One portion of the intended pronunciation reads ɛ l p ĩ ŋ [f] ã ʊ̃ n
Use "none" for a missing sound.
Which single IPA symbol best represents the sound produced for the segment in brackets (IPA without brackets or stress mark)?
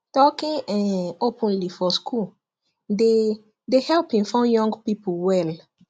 f